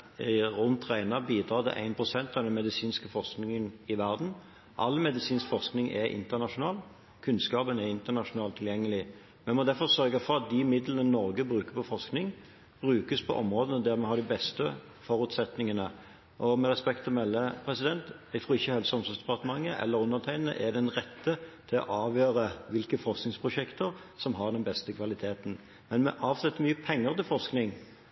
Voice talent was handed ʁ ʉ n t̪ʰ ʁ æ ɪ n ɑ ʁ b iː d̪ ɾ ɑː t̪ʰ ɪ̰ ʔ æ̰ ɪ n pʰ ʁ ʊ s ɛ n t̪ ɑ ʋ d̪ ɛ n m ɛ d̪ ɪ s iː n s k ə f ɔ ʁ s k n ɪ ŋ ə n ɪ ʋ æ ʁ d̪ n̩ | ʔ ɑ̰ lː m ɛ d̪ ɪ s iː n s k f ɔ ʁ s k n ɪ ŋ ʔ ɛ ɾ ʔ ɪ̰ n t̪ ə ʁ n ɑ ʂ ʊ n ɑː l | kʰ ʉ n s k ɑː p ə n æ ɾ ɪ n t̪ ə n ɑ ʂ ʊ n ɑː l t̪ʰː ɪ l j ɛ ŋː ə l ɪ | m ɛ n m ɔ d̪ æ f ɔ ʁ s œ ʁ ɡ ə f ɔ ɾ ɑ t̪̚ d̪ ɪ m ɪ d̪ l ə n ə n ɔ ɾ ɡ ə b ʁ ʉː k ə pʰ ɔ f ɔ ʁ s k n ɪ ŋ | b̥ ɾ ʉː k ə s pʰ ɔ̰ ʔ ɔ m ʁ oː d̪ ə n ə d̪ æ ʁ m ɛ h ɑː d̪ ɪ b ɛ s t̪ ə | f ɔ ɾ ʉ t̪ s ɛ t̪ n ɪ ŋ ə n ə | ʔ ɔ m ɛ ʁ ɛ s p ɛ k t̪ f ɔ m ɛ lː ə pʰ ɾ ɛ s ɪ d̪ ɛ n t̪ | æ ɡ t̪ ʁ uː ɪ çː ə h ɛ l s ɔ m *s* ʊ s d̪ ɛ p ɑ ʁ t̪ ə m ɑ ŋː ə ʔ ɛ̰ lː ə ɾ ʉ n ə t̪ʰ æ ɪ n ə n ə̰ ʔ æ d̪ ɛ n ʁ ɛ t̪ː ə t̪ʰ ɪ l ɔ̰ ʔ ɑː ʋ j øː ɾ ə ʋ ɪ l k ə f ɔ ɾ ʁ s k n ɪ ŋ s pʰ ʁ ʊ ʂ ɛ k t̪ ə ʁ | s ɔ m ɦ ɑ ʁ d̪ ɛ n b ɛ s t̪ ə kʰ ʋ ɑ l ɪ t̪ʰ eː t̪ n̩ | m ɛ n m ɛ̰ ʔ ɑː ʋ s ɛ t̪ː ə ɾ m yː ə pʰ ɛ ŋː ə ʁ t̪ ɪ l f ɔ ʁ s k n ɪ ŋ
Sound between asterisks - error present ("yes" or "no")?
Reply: no